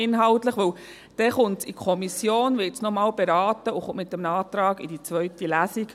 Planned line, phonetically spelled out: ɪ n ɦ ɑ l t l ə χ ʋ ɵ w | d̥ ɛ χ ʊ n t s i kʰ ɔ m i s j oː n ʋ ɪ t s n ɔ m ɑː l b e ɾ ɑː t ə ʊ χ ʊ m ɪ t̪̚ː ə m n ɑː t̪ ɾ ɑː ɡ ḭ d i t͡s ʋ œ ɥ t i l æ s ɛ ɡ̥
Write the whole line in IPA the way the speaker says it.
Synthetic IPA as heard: ɪ n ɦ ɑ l t l ə χ ʋ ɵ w | d̥ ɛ χ ʊ n t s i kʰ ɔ m i s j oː n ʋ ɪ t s n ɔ m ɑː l b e ɾ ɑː t ə ʊ χ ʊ m ɪ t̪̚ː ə m n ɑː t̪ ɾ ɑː ɡ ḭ d i t͡s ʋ œ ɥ t i l æ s i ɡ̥